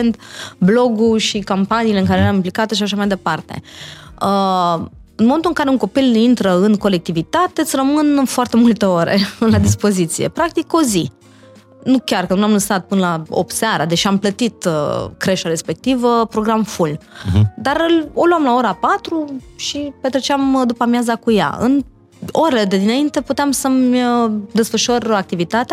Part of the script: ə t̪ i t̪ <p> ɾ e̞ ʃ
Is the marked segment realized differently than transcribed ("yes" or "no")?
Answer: yes